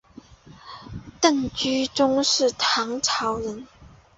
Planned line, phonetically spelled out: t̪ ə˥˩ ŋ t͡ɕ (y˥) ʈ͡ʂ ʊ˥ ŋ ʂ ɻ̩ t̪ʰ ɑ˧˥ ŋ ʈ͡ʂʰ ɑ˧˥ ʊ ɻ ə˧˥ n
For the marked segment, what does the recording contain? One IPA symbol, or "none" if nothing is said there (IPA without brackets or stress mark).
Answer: y˥